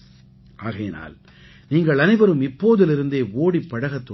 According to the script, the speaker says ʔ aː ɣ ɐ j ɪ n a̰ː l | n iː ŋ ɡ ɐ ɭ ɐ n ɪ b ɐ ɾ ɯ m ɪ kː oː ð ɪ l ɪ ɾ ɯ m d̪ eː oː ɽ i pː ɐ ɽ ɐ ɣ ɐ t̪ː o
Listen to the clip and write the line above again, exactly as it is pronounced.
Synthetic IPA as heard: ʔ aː ɣ ɐ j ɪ n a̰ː l | n iː ŋ ɡ ɐ ɭ ɐ n ɪ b ɐ ɾ ɯ m ɪ pː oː ð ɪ l ɪ ɾ ɯ n d̪ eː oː ɽ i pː ɐ ɽ ɐ ɣ ɐ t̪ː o